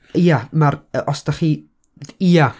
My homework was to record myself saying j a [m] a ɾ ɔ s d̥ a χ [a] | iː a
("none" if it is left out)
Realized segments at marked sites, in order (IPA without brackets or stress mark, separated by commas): m, i